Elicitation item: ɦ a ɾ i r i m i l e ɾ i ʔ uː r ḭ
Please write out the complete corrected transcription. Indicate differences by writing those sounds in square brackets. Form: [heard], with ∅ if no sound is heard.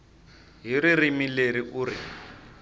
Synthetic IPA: ɦ [i] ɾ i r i m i l e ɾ i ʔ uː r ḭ